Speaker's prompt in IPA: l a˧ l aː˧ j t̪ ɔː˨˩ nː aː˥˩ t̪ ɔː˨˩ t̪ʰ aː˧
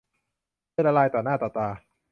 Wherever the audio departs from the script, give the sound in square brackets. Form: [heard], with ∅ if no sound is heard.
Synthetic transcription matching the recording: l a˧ l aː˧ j t̪ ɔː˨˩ [n] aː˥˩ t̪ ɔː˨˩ [t̪] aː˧